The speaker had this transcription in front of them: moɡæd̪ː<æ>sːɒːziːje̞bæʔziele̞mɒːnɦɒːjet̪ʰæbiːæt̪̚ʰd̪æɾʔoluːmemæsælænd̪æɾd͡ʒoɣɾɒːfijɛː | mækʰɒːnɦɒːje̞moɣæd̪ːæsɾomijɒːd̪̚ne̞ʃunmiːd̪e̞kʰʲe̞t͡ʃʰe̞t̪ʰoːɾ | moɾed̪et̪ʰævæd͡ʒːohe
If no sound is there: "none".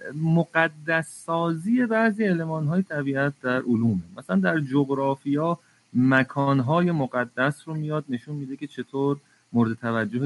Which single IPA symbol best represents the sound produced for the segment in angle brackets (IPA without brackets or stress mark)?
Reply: æ